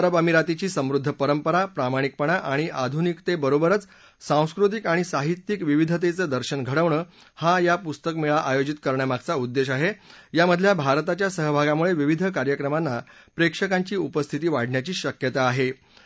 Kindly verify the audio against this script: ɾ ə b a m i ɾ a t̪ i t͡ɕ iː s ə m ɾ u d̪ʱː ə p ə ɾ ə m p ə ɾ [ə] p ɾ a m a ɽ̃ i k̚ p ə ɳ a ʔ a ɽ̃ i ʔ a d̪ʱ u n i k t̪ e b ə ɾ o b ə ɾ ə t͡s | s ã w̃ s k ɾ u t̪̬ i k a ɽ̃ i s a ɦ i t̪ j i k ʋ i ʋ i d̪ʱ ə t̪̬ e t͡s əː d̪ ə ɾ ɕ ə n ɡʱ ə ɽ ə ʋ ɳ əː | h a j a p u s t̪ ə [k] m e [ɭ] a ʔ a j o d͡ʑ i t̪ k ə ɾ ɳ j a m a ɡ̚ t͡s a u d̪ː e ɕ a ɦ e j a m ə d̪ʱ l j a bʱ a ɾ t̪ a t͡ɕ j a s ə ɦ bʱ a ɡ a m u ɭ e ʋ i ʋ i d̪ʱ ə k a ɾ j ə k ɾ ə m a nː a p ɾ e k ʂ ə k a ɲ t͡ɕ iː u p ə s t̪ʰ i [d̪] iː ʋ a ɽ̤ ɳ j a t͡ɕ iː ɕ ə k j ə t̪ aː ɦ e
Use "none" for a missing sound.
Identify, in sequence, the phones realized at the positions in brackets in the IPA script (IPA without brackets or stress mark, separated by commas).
a, k, ɭ, t̪